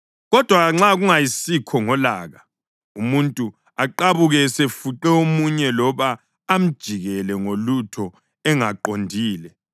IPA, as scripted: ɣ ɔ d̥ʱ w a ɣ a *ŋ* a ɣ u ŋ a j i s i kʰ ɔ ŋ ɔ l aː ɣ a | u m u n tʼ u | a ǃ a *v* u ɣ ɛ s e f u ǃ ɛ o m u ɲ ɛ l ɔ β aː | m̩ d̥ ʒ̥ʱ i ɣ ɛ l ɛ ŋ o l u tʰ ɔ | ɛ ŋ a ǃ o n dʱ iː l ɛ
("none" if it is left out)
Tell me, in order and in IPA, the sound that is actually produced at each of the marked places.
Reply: ŋ͡ǁ, β

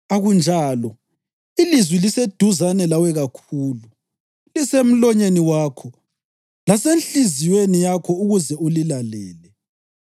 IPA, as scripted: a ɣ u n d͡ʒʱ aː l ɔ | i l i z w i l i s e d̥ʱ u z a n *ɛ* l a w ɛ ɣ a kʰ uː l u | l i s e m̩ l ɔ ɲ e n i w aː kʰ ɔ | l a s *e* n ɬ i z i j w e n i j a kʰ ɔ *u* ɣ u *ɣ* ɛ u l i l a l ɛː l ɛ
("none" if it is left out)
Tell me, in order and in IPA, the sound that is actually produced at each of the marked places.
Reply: ɛ, e, u, z

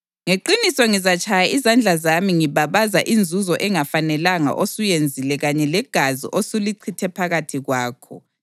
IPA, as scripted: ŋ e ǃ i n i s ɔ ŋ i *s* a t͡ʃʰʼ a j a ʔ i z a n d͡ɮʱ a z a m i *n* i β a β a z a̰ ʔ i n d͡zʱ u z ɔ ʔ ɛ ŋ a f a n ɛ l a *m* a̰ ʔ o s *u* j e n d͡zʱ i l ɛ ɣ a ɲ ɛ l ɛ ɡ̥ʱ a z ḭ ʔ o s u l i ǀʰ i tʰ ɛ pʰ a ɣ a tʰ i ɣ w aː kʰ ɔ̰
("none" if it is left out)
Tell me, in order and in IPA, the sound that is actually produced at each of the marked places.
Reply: z, ŋ, ŋ, u

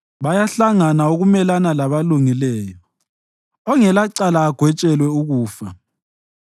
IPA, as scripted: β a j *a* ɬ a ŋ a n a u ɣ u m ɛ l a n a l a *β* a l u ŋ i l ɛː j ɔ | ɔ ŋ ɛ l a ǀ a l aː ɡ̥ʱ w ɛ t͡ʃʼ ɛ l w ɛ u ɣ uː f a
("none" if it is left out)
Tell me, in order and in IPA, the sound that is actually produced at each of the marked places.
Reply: a, β

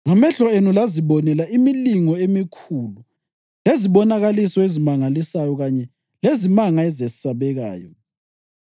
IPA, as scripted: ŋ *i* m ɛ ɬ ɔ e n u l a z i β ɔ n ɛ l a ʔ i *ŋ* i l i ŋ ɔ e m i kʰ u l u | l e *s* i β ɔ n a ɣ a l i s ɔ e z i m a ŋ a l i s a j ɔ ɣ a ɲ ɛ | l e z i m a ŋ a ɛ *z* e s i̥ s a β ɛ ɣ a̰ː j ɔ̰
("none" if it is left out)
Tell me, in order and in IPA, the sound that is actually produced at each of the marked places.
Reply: a, m, z, z

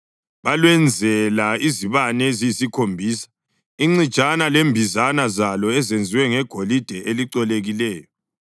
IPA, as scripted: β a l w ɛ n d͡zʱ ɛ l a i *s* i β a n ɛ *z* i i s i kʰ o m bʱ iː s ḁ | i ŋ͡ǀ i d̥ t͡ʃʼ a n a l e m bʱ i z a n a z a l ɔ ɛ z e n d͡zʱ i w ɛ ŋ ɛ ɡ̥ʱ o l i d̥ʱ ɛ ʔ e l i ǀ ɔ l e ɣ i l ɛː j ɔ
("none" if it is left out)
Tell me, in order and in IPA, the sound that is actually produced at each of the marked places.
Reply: z, z

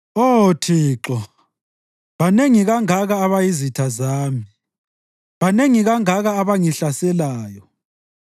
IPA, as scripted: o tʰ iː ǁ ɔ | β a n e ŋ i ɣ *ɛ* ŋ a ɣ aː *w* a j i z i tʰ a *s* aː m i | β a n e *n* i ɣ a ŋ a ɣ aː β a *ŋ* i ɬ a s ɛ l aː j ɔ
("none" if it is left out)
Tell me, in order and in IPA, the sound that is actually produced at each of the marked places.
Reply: a, β, z, ŋ, ŋ

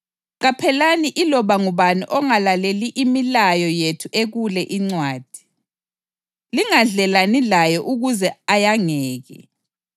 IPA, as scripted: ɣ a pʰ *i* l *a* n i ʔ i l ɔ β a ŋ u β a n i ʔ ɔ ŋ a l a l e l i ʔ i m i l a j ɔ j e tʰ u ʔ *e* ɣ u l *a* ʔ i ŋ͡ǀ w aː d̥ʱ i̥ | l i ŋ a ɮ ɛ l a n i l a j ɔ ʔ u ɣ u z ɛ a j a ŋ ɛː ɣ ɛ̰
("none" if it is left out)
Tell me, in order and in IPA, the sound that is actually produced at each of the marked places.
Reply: ɛ, a, e, ɛ

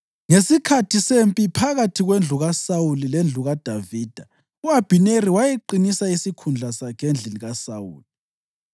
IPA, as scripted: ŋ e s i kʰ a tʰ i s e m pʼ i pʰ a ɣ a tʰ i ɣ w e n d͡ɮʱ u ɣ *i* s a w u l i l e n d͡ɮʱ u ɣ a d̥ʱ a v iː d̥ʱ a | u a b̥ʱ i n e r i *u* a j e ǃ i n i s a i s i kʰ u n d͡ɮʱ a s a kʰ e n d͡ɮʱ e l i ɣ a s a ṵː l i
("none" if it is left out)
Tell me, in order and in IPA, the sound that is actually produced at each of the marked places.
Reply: a, w

